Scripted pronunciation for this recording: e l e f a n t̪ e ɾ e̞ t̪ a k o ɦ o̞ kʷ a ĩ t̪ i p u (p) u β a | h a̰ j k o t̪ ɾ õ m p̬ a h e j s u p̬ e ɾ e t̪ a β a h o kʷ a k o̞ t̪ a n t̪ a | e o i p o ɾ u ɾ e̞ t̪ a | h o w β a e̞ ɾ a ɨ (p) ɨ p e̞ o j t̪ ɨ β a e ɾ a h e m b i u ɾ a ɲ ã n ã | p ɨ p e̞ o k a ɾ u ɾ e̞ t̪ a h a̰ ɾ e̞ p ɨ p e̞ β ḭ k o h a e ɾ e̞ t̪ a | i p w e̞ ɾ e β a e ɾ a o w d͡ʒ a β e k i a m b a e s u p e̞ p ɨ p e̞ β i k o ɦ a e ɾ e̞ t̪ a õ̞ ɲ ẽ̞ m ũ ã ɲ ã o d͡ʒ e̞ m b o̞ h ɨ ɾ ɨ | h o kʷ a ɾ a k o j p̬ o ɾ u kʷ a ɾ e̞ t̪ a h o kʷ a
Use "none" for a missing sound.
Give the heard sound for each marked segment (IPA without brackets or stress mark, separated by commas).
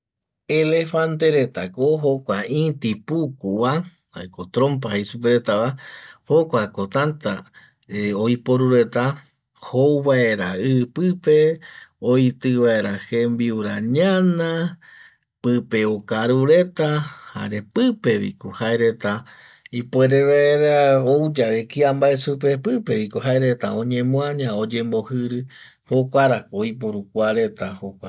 k, p